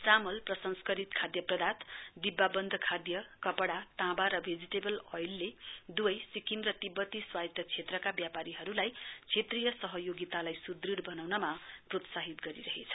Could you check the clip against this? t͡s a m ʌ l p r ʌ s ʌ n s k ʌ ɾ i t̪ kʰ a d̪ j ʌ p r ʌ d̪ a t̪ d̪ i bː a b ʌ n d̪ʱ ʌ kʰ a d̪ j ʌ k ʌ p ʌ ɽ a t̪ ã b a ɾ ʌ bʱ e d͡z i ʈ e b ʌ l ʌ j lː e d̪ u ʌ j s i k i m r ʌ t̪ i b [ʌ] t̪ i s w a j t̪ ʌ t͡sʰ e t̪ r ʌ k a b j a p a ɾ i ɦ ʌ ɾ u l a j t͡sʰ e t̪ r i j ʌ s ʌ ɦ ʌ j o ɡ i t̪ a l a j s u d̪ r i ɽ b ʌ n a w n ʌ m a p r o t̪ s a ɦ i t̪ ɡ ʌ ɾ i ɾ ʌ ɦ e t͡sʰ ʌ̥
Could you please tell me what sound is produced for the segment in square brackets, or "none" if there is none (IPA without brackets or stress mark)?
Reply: ʌ